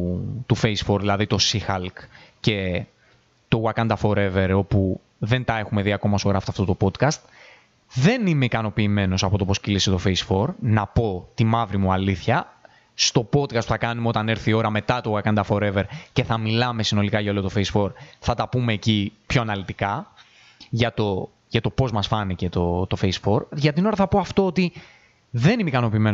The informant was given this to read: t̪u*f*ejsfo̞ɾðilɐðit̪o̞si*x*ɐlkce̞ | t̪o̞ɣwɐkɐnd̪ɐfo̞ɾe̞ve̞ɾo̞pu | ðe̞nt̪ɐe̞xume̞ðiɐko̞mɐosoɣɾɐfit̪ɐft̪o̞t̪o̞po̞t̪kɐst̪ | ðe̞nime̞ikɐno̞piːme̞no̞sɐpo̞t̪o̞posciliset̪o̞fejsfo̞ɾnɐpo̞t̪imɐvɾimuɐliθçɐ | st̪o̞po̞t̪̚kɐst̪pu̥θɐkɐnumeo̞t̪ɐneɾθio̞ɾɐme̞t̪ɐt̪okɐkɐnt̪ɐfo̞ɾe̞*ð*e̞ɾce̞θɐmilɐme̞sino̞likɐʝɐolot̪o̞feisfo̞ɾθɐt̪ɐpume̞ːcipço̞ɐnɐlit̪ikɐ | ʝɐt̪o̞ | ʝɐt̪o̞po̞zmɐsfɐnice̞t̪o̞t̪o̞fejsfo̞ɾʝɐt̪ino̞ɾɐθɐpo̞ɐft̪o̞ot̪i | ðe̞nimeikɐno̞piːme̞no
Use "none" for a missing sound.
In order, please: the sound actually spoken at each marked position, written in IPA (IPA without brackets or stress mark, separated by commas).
f, x, v